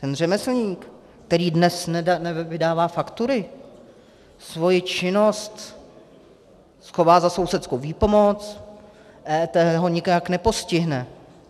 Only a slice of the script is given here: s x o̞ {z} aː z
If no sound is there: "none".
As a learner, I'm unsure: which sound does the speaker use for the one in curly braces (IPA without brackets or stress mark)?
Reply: v